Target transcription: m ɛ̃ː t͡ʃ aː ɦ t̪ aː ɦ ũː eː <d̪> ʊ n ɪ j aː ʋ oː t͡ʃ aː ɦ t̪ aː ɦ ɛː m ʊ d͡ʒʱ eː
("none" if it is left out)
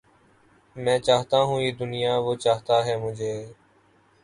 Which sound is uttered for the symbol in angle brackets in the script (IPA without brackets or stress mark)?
d̪